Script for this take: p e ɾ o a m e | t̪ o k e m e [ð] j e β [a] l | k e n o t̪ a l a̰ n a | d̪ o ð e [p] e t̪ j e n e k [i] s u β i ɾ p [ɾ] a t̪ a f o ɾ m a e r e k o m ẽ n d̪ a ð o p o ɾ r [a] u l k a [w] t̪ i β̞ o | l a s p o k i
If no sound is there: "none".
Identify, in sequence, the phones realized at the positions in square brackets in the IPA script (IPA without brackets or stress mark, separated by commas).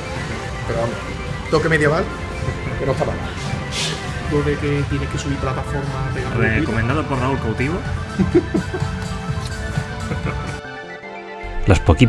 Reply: ð, a, k, e, l, a, w